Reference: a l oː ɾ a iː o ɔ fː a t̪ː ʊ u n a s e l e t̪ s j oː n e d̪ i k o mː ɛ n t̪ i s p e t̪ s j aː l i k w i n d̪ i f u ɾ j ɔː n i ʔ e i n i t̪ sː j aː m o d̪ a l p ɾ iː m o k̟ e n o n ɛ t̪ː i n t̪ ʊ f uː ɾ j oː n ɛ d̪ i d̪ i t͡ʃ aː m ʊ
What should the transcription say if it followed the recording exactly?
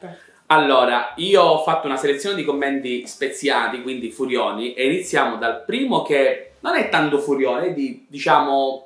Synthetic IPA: a lː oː ɾ a iː o ɔ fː a t̪ː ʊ u n a s e l e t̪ s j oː n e d̪ i k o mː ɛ n t̪ i s p e t̪ s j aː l i k w i n d̪ i f u ɾ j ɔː n i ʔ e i n i t̪ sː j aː m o d̪ a l p ɾ iː m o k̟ e n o n ɛ t̪ː a n t̪ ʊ f u ɾ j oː n ɛ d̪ i d̪ i t͡ʃ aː m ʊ